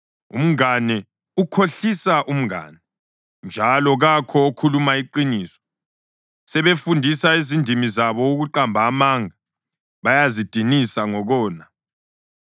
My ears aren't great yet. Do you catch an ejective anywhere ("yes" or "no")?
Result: no